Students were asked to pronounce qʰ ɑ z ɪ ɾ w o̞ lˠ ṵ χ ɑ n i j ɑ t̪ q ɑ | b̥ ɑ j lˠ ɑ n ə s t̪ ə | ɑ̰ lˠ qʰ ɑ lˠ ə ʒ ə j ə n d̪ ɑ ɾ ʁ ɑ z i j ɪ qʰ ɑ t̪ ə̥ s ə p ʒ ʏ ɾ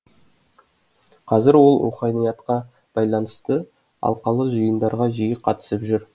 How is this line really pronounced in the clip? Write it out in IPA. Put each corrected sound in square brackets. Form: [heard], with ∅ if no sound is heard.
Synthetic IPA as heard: qʰ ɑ z ɪ ɾ w o̞ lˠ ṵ χ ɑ n i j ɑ t̪ q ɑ | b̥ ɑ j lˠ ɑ n ə s t̪ ə | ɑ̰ lˠ [q] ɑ lˠ ə ʒ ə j ə n d̪ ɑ ɾ ʁ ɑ [ʒ] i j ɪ qʰ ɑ t̪ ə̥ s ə p ʒ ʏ ɾ